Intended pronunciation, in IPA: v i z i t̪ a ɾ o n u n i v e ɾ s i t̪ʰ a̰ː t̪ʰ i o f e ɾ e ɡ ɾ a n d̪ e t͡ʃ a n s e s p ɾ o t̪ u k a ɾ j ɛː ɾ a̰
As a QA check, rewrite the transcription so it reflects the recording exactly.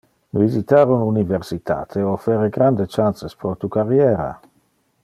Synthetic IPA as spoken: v i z i t̪ a ɾ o n u n i v e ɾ s i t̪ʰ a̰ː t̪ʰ e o f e ɾ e ɡ ɾ a n d̪ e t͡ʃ a n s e s p ɾ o t̪ u k a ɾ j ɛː ɾ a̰